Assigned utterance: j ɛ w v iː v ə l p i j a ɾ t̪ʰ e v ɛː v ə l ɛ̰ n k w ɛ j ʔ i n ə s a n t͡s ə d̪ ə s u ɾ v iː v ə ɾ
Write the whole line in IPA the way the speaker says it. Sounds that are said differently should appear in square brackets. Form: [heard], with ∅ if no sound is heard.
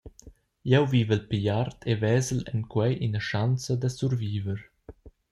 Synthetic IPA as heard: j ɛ w v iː v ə l p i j a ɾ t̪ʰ e v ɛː [z] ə l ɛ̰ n k w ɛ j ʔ i n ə [ʃ] a n t͡s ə d̪ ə s u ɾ v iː v ə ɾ